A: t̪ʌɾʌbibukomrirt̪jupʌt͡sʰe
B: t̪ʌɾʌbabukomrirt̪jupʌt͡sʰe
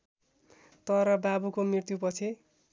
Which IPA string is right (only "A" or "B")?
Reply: B